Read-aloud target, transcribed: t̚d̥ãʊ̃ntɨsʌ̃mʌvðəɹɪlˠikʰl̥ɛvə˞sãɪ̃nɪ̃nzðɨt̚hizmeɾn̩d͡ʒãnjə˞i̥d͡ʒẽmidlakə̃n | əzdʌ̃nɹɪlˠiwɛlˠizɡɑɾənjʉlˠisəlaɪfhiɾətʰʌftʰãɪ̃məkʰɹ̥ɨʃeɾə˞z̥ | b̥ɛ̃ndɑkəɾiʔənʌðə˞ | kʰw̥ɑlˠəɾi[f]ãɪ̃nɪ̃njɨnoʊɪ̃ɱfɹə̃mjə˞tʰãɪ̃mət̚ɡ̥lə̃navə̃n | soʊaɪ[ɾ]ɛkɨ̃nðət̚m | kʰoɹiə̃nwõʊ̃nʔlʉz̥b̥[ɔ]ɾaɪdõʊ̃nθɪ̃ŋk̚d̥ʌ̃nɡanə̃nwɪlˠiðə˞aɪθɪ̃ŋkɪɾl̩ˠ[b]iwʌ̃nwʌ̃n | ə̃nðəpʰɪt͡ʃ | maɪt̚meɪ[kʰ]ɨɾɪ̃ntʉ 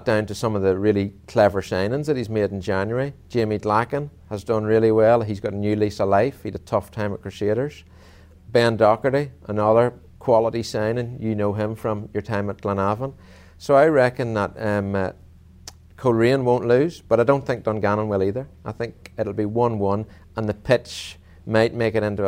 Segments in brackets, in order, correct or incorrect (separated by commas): incorrect, incorrect, incorrect, correct, incorrect